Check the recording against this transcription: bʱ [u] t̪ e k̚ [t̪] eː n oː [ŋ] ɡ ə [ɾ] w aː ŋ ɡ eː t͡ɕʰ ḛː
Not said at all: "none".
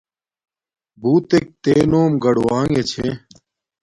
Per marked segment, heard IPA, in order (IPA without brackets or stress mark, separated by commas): uː, t̪, m, ɽ